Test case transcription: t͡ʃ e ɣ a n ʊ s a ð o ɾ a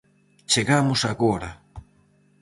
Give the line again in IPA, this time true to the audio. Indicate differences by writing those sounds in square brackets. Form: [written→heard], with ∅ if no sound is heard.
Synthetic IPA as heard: t͡ʃ e ɣ a [n→m] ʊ s a [ð→ɣ] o ɾ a